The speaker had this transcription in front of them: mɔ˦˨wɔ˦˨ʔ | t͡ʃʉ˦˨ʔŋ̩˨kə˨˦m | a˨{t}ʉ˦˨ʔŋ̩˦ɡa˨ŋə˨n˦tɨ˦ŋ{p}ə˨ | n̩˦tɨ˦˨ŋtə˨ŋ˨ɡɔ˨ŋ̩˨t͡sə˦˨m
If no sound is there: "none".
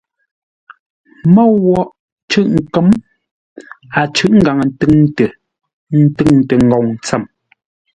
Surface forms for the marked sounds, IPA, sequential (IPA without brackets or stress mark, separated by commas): t͡ʃ, t